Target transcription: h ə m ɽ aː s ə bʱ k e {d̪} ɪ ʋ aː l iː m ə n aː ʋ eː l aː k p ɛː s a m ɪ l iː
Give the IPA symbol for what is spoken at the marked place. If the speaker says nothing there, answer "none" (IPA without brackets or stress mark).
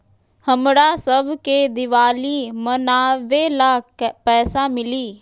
d̪